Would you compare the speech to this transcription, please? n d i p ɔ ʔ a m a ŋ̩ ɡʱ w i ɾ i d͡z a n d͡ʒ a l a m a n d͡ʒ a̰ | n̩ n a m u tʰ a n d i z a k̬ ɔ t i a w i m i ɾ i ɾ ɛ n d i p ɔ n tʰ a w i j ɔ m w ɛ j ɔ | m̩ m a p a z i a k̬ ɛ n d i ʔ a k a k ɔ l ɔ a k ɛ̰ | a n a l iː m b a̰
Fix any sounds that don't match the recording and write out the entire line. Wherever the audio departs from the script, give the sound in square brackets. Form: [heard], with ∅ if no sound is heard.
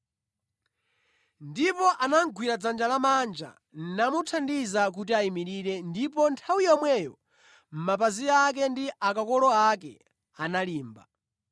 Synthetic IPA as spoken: n d i p ɔ ʔ a [n] a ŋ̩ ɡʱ w i ɾ [a] d͡z a n d͡ʒ a l a m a n d͡ʒ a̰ | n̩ n a m u tʰ a n d i z a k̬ [u] t i a [∅] i m i ɾ i ɾ ɛ n d i p ɔ n tʰ a w i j ɔ m w ɛ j ɔ | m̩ m a p a z i a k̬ ɛ n d i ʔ a k a k ɔ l ɔ a k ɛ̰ | a n a l iː m b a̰

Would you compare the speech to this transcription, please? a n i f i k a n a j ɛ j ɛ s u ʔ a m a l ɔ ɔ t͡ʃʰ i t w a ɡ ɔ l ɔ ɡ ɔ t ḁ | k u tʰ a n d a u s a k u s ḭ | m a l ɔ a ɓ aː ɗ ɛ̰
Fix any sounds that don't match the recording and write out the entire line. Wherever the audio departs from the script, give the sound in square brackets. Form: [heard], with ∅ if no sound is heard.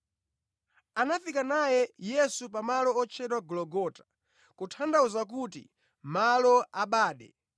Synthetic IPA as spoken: a n [a] f i k a n a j ɛ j ɛ s u [p] a m a l ɔ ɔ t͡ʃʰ [ɛ] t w a ɡ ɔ l ɔ ɡ ɔ t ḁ | k u tʰ a n d a u [z] a k u [t] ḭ | m a l ɔ a ɓ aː ɗ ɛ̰

